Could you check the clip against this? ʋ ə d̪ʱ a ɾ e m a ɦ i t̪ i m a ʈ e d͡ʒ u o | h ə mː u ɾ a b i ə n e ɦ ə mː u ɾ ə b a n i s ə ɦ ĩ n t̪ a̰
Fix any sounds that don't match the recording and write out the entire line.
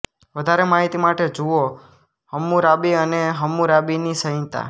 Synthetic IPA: ʋ ə d̪ʱ a ɾ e m a ɦ i t̪ i m a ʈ e d͡ʒ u o | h ə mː u ɾ a b i ə n e ɦ ə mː u ɾ a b i n i s ə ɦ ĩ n t̪ a̰